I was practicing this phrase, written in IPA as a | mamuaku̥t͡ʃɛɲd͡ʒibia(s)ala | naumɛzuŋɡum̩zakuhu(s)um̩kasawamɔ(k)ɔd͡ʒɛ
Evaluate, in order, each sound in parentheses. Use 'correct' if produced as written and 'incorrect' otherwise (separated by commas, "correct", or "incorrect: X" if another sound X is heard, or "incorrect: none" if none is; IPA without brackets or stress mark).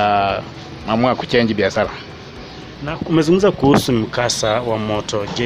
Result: correct, correct, incorrect: t